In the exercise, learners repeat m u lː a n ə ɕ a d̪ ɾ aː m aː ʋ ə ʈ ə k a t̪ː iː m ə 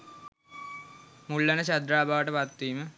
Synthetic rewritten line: m u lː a n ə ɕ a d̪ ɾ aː b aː ʋ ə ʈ ə p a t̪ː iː m ə